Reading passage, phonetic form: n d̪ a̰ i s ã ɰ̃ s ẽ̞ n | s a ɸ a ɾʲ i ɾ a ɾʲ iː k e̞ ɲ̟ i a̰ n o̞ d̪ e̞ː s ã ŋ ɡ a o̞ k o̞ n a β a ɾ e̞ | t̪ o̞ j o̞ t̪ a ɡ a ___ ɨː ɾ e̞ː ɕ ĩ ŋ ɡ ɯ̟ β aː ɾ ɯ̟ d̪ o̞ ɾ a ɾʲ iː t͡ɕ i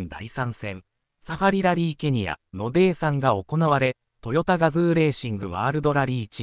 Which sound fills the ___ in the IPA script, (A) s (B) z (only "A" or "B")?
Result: B